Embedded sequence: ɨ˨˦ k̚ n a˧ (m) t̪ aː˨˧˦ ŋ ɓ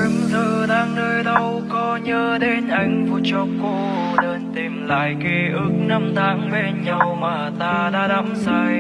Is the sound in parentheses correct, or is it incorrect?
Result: correct